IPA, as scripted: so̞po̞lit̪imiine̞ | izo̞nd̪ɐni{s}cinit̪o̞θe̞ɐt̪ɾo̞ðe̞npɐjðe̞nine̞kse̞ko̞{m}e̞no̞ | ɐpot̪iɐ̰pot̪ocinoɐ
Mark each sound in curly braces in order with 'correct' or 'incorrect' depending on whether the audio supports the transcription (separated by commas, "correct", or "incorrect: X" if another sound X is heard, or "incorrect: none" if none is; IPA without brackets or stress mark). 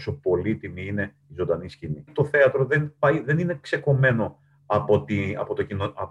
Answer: correct, correct